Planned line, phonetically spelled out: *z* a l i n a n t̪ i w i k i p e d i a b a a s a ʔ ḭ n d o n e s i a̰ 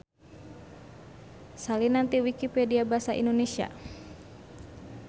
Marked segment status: incorrect: s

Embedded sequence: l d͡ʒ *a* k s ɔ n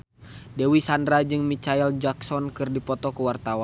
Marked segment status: correct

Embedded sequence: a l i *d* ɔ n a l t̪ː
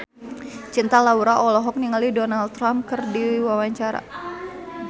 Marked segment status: correct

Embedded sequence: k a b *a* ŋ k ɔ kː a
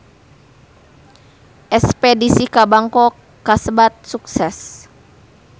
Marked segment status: correct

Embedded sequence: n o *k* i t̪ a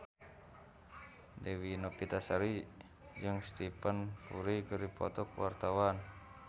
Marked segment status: incorrect: p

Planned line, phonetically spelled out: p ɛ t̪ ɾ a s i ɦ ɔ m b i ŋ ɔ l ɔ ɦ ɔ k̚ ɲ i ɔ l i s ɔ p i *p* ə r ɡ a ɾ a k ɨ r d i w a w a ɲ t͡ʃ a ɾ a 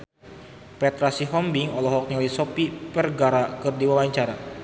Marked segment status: correct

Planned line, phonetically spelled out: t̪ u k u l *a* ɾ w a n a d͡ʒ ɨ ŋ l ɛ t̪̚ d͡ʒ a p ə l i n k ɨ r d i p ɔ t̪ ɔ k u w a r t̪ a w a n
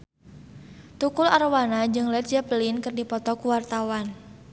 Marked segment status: correct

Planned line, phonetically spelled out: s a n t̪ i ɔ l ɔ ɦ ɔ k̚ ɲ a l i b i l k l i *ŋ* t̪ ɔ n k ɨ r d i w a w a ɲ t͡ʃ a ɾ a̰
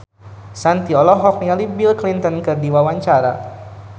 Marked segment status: incorrect: n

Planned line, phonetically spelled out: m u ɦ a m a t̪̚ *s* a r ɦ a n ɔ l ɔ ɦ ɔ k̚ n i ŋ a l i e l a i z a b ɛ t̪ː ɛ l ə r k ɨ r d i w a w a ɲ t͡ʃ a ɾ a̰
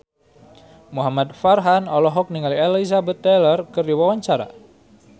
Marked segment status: incorrect: f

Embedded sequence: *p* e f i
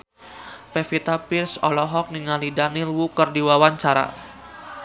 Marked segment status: correct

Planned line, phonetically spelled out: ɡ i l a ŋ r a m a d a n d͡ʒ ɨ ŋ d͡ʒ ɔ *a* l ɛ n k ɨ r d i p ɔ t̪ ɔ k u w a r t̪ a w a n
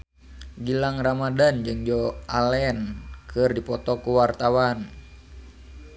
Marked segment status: correct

